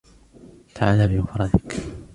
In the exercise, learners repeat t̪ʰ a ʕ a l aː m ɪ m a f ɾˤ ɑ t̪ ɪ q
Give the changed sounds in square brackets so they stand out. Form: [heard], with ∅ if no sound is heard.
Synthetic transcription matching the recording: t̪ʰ a ʕ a l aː [b] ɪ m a f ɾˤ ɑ [d̪] ɪ [k]